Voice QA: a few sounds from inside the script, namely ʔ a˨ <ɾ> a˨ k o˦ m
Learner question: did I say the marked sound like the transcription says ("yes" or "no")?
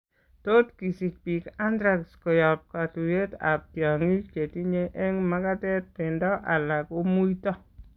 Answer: no